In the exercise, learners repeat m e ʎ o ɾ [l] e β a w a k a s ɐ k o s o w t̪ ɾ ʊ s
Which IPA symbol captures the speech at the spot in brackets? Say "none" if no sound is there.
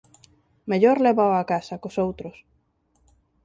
l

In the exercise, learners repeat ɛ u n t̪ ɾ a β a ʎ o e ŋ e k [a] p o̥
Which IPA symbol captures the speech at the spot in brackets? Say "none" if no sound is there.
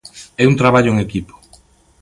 i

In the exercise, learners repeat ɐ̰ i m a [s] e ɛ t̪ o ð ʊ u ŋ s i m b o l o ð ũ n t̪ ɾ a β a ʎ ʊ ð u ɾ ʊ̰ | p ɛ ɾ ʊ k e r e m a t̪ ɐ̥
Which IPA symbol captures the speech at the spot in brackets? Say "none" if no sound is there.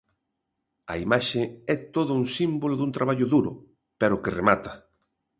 ʃ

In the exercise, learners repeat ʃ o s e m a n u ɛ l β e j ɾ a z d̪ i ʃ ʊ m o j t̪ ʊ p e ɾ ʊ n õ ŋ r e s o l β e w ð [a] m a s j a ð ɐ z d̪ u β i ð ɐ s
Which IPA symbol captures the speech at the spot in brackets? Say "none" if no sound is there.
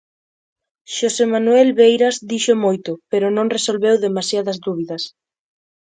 e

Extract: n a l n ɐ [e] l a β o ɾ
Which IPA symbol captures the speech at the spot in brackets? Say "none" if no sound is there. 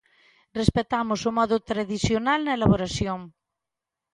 e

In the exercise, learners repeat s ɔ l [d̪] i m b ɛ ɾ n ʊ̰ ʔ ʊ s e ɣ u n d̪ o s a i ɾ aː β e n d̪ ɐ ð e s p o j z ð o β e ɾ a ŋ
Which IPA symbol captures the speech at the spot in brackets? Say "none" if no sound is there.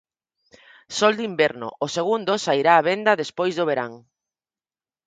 d̪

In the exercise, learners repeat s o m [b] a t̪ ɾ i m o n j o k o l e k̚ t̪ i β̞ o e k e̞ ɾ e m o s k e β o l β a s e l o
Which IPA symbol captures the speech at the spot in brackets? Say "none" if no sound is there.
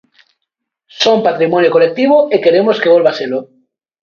p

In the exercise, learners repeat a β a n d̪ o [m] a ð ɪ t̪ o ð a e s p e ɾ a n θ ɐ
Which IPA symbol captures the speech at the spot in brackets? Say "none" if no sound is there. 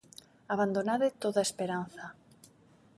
n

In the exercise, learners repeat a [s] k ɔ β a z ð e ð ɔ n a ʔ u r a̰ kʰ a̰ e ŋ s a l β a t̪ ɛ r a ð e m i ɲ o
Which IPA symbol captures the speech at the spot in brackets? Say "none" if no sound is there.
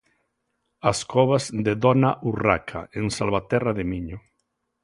s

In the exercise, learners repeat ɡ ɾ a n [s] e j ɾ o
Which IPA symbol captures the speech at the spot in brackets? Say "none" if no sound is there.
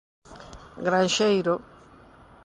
ʃ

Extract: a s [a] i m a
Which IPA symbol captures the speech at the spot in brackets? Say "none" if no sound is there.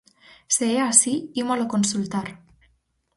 i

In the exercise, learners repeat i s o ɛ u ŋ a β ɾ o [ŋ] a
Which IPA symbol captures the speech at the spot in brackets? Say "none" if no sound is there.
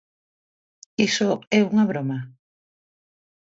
m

